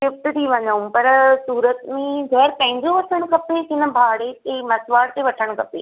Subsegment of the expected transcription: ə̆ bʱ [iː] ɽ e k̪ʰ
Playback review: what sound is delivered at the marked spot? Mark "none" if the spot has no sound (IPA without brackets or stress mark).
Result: aː